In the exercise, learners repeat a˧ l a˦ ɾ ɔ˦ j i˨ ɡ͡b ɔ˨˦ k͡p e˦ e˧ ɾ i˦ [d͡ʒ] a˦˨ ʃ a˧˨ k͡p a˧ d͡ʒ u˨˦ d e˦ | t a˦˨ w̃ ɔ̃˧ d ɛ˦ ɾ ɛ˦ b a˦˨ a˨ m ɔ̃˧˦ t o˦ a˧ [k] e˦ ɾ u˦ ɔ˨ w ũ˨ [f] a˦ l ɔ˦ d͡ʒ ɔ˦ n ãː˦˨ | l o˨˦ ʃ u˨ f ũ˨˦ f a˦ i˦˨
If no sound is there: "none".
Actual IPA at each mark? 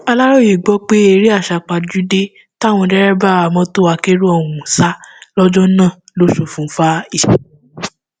none, k, s

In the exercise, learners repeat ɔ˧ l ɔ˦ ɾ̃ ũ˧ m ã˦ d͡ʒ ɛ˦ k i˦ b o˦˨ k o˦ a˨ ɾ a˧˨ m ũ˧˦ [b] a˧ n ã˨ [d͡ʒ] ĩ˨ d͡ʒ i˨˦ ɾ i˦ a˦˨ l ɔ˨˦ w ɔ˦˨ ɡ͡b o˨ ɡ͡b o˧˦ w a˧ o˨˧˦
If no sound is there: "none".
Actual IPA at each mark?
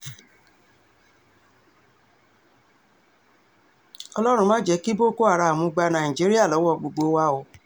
ɡ͡b, none

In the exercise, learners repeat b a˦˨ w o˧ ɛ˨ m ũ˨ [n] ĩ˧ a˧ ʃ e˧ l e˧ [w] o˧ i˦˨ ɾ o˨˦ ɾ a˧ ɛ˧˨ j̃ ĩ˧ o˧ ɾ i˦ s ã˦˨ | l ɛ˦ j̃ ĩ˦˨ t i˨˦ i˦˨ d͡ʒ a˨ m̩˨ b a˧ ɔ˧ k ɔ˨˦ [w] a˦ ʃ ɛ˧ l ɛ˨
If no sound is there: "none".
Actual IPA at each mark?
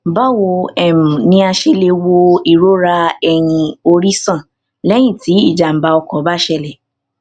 n, w, b

